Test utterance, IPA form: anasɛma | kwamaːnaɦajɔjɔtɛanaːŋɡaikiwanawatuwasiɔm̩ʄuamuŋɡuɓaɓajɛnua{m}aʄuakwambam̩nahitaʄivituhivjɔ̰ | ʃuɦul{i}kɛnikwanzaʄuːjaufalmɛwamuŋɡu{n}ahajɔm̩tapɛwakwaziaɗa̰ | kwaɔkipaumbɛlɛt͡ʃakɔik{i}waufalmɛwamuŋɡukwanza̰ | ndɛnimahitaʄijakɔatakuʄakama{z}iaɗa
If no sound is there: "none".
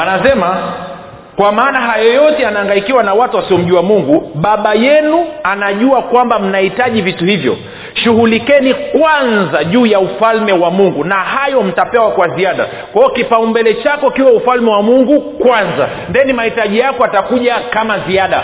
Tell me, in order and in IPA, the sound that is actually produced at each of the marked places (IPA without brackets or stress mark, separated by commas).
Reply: n, i, n, i, z